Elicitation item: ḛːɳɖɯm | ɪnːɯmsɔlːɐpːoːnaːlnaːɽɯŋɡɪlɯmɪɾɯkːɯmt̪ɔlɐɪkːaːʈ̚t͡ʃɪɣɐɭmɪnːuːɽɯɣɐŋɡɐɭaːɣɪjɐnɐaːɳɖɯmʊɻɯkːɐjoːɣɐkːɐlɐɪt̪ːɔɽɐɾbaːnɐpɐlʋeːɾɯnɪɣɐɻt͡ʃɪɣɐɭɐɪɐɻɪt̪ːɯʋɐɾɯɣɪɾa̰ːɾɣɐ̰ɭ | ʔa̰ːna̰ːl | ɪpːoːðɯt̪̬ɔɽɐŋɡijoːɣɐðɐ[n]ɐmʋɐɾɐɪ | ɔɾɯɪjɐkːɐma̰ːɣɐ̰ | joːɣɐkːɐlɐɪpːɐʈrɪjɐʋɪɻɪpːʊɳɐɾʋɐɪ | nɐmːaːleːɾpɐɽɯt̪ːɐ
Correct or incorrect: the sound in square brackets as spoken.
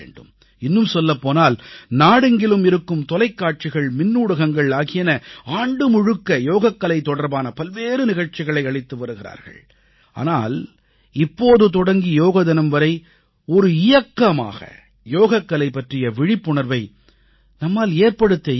correct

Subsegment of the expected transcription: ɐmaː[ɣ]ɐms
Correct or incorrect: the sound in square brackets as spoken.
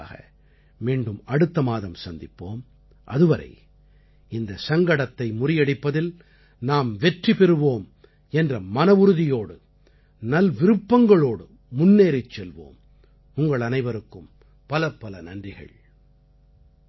incorrect: ð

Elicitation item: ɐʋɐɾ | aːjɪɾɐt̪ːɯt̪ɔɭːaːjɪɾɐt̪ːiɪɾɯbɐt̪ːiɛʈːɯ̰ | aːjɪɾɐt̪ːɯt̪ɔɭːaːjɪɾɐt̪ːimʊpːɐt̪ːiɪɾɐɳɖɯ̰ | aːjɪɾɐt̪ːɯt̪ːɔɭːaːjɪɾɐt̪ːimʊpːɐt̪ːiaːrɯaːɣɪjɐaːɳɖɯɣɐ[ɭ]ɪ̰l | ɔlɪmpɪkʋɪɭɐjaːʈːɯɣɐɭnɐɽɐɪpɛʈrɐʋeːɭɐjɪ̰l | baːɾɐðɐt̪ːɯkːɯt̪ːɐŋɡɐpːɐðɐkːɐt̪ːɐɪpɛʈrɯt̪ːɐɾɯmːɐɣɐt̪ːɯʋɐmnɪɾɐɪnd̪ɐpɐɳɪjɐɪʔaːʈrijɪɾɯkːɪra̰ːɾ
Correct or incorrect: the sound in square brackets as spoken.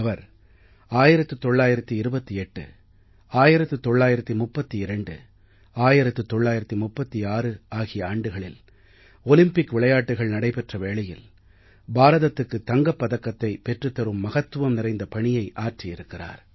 correct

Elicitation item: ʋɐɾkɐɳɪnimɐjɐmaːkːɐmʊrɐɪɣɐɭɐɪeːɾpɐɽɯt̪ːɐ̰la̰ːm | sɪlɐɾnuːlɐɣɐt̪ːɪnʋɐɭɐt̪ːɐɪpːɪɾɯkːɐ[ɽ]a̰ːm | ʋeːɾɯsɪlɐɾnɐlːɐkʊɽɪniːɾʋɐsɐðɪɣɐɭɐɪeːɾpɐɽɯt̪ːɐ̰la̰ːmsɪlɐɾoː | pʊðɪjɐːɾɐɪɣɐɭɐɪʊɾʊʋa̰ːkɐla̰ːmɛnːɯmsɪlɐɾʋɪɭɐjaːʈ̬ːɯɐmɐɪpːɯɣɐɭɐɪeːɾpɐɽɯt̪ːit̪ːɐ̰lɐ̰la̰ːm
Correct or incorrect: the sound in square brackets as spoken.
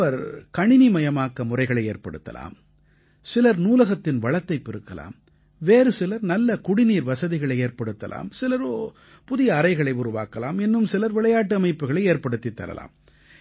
incorrect: l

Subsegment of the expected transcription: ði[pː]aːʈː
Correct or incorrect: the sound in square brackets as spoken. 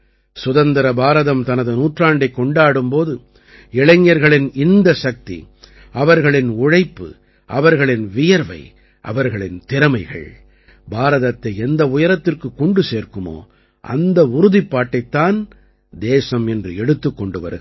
correct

